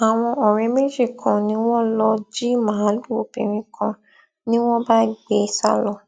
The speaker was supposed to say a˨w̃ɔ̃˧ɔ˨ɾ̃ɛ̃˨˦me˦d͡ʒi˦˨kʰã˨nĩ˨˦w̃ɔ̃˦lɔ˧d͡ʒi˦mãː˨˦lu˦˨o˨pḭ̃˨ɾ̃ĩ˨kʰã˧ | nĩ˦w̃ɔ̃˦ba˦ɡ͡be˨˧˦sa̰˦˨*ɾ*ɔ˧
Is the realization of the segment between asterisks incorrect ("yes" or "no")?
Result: yes